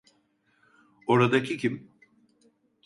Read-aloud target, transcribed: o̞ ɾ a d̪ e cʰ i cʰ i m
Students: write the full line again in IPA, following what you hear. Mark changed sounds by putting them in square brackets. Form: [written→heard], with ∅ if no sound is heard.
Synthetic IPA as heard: o̞ ɾ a d̪ [e→a] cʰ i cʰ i m

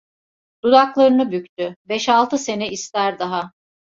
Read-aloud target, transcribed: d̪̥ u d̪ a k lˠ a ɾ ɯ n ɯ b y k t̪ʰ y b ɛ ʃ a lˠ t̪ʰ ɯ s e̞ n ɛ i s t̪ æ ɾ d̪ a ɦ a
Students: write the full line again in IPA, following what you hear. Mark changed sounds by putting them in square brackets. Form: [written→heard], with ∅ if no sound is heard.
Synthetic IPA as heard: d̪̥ u d̪ a k lˠ a ɾ ɯ n ɯ b y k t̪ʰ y b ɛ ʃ a lˠ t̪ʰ ɯ s e̞ n ɛ i s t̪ æ ɾ d̪ a ɦ a

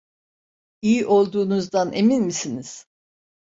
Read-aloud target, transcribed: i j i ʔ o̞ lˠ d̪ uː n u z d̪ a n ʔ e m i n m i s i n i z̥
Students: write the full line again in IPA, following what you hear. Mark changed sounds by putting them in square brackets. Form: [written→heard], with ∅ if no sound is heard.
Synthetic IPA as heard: i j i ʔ o̞ lˠ d̪ uː n u z d̪ a n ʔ e m i n m i s i n i z̥

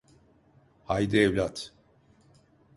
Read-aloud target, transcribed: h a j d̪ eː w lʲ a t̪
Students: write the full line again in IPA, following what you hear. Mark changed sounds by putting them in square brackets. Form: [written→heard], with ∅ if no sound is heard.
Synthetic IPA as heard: h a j d̪ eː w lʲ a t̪

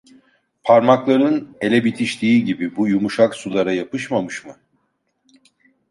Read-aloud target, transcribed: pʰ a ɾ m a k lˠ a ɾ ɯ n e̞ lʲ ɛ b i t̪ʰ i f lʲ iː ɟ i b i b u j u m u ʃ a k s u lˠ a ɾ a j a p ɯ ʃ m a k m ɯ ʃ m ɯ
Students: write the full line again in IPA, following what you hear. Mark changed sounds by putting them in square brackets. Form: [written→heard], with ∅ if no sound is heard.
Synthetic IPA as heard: pʰ a ɾ m a k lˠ a ɾ ɯ n e̞ lʲ ɛ b i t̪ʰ i [f→ʃ] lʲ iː ɟ i b i b u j u m u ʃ a k s u lˠ a ɾ a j a p ɯ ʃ m a [k→∅] m ɯ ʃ m ɯ

